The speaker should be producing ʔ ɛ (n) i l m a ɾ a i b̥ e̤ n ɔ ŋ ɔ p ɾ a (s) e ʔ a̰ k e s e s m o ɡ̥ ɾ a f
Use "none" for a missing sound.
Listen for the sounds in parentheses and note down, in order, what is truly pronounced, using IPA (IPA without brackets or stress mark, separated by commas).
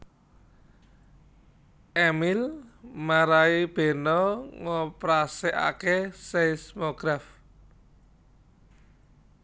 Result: m, s